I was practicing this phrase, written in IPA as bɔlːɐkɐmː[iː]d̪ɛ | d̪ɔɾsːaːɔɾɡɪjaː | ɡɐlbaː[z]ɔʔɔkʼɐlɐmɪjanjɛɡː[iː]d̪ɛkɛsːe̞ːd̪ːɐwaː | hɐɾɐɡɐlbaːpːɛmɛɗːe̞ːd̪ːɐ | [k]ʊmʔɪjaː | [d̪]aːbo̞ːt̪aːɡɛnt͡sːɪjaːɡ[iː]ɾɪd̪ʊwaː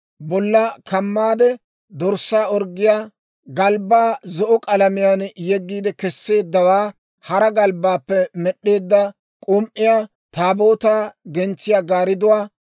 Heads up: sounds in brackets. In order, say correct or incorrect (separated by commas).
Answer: incorrect, correct, correct, incorrect, incorrect, incorrect